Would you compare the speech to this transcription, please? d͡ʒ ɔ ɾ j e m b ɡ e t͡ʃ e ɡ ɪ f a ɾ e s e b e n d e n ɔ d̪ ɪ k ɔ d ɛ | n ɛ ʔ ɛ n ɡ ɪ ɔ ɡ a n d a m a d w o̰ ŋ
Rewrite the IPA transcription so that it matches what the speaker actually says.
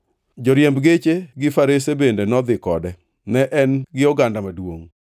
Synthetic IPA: d͡ʒ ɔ ɾ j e m b ɡ e t͡ʃ e ɡ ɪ f a ɾ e s e b e n d e n ɔ d̪ ɪ k ɔ d ɛ | n ɛ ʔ ɛ n ɡ ɪ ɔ ɡ a n d a m a d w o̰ ŋ